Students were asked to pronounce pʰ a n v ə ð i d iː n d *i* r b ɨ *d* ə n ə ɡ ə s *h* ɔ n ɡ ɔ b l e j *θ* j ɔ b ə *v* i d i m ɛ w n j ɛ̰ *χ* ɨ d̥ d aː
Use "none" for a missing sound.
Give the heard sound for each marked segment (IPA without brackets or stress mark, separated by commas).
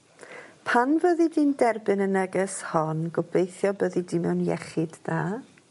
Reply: ɛ, n, h, θ, ð, χ